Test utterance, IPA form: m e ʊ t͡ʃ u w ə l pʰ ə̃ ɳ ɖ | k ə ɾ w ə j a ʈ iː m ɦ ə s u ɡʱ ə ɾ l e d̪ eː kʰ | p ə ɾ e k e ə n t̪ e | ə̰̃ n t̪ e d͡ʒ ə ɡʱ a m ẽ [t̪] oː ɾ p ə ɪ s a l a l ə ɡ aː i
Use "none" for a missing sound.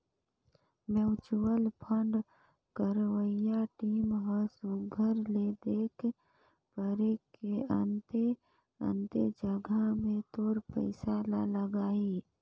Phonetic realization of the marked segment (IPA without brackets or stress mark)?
t̪